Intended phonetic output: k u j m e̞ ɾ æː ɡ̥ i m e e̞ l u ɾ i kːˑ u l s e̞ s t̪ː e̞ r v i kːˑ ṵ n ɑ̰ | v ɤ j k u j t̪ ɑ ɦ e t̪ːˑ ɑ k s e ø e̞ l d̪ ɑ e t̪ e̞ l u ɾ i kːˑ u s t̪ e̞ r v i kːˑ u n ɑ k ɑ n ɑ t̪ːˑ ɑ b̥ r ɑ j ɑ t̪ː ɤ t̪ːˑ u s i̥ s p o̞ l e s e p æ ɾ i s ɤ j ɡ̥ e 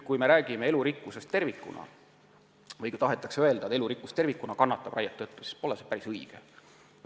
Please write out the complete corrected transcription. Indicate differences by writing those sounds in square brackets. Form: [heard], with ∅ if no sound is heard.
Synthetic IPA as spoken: k u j m e̞ ɾ æː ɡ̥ i m e e̞ l u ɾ i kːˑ u [∅] s e̞ s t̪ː e̞ r v i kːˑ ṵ n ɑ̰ | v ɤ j k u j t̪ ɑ ɦ e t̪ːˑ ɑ k s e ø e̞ l d̪ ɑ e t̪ e̞ l u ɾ i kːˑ u s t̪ e̞ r v i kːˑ u n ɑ k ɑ [nː] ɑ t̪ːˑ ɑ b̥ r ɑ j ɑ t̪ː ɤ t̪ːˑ u s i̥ s p o̞ l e s e p æ ɾ i s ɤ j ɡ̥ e